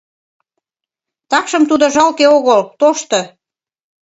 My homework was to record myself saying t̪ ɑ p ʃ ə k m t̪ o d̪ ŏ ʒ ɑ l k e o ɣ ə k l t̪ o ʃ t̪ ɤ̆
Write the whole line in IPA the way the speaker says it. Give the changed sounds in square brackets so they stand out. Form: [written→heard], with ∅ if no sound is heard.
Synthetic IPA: t̪ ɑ [p→k] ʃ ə [k→∅] m t̪ [o→u] d̪ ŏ ʒ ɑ l k e o ɣ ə [k→∅] l t̪ o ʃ t̪ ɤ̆